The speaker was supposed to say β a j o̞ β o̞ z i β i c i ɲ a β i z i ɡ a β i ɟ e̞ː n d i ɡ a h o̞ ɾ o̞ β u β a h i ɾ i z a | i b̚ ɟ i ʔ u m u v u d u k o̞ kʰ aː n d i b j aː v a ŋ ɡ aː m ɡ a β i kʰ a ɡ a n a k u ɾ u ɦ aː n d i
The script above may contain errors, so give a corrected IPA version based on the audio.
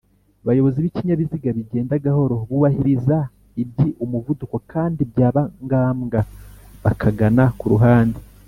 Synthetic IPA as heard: β a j o̞ β o̞ z i β i c i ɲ a β i z i ɡ a β i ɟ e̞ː n d a ɡ a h o̞ ɾ o̞ β u β a h i ɾ i z a | i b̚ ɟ i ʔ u m u v u d u k o̞ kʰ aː n d i b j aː β a ŋ ɡ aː m ɡ a β a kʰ a ɡ a n a k u ɾ u ɦ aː n d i